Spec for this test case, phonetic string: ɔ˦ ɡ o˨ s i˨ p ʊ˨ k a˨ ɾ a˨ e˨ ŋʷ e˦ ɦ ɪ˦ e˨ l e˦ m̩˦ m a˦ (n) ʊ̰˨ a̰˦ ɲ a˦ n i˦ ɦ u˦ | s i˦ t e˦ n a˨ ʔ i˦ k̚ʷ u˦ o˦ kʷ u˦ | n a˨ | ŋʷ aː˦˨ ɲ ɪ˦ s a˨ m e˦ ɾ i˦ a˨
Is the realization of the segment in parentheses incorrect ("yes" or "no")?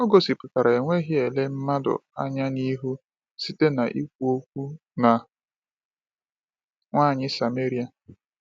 yes